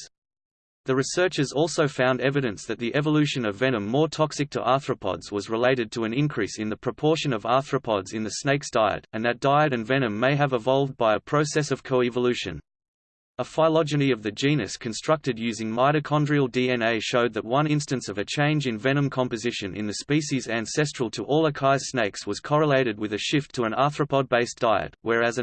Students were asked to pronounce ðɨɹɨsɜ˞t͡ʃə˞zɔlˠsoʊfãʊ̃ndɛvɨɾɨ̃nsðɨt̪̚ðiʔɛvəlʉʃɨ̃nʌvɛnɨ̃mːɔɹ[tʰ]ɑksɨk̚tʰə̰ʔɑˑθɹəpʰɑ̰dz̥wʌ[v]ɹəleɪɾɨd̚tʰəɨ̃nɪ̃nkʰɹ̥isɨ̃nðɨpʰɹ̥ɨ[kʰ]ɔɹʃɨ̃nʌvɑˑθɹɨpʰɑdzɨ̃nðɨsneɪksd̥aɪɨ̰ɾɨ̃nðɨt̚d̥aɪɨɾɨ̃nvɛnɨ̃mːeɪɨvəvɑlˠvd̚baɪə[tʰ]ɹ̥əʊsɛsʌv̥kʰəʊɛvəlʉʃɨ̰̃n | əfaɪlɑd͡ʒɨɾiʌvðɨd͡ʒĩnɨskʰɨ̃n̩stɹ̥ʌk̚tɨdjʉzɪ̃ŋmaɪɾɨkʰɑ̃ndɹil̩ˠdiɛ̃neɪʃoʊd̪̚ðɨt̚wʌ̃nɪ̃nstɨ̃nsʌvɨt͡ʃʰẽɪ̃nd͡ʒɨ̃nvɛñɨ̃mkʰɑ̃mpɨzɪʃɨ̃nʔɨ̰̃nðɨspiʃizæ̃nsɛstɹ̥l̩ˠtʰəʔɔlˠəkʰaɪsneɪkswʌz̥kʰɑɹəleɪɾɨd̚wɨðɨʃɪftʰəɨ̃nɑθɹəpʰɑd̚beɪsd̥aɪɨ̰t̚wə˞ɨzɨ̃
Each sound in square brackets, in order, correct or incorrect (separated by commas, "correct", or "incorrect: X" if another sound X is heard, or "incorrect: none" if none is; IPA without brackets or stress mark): correct, incorrect: z, incorrect: pʰ, incorrect: pʰ